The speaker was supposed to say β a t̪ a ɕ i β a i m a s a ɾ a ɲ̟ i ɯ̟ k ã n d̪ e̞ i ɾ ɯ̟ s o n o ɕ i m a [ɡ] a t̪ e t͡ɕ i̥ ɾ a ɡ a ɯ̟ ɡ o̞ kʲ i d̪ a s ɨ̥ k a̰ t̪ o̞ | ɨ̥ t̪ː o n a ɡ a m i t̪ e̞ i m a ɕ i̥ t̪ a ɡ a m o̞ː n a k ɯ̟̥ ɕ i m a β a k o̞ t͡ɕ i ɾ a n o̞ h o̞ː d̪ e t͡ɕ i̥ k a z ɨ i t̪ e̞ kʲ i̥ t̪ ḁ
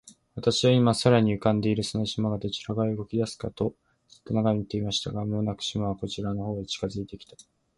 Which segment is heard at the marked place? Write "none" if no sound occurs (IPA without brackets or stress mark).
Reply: ɡ